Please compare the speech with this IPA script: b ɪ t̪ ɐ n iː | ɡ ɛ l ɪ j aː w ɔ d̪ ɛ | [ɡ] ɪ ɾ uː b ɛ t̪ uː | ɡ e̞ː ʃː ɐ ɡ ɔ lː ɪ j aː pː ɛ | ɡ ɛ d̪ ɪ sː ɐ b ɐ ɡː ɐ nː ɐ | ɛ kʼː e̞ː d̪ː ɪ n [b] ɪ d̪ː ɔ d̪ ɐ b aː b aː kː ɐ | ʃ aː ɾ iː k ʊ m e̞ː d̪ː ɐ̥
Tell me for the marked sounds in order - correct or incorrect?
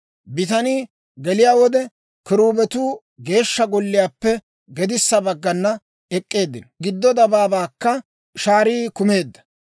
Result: incorrect: k, incorrect: ɡ

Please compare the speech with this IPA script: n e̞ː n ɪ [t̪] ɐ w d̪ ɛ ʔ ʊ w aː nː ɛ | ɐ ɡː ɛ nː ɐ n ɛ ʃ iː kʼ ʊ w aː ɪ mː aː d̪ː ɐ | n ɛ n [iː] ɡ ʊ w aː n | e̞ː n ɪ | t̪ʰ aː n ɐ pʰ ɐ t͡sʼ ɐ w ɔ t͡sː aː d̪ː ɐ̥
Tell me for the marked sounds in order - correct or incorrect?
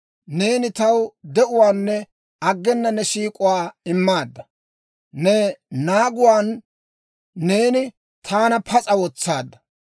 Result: correct, incorrect: aː

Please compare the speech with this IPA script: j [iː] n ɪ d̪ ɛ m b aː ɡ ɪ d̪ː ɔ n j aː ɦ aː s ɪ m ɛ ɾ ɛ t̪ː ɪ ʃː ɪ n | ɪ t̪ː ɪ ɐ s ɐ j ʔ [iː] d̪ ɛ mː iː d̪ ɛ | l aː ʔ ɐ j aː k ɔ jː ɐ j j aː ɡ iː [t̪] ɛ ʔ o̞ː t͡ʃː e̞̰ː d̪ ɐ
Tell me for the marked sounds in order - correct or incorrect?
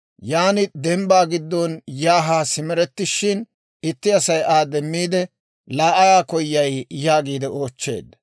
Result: incorrect: aː, incorrect: aː, incorrect: d̪

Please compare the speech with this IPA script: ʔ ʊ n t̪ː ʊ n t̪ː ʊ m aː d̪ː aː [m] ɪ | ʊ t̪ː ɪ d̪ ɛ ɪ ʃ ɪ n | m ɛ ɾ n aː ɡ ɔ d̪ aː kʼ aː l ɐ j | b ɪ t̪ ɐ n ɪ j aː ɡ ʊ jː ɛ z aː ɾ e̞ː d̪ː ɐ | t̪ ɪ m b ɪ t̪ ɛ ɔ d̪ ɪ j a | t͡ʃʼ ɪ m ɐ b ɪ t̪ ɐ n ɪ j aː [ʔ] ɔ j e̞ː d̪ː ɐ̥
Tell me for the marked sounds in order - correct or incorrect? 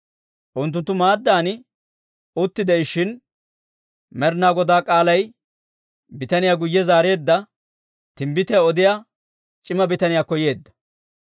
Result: incorrect: n, incorrect: k

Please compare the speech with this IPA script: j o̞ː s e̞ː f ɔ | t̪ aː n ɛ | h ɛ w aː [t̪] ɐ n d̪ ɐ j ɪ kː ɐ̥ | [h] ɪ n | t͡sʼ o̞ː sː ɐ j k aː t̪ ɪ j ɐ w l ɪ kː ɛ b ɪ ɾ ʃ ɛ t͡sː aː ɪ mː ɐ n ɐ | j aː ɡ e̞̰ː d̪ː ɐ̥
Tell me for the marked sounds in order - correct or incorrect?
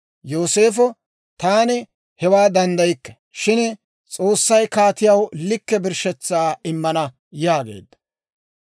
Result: incorrect: d̪, incorrect: ʃ

